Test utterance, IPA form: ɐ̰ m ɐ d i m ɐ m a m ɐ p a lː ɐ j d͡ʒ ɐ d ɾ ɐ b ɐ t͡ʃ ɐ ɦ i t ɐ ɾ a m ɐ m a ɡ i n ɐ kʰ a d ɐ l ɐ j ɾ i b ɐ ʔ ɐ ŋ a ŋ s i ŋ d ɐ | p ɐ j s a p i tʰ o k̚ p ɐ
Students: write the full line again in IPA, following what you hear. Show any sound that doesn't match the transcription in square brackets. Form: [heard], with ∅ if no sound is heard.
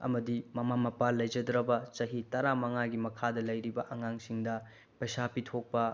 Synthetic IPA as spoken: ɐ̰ m ɐ d i m ɐ m a m ɐ p a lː ɐ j d͡ʒ ɐ d ɾ ɐ b ɐ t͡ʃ ɐ ɦ i t ɐ ɾ a m ɐ [ŋ] a ɡ i [m] ɐ kʰ a d ɐ l ɐ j ɾ i b ɐ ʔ ɐ ŋ a ŋ s i ŋ d ɐ | p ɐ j s a p i tʰ o k̚ p ɐ